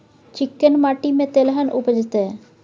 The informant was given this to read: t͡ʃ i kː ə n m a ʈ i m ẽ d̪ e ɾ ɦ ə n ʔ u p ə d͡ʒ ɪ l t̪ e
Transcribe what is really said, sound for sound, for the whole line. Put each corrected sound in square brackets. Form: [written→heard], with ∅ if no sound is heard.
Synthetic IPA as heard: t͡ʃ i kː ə n m a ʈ i m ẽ [d̪→t̪] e [ɾ→l] ɦ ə n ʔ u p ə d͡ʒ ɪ [l→∅] t̪ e